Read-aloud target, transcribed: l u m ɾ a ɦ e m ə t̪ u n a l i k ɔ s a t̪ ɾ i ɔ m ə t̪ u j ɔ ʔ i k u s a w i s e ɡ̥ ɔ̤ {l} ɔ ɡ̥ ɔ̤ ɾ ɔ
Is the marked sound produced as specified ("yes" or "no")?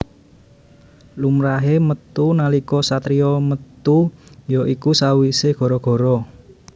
no